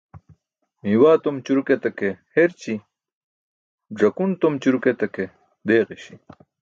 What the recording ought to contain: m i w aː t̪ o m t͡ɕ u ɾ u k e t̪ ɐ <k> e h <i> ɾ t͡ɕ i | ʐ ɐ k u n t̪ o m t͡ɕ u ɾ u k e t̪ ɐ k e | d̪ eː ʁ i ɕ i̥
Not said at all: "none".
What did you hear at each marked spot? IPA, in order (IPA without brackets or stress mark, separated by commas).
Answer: k, e